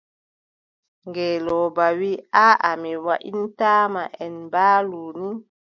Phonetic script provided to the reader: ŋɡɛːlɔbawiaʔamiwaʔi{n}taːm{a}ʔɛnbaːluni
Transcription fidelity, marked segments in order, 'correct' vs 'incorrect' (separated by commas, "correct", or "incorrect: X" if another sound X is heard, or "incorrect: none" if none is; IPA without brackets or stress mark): correct, correct